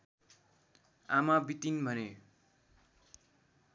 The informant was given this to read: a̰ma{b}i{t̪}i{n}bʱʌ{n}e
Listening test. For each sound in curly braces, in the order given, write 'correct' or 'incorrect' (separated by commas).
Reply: correct, correct, correct, correct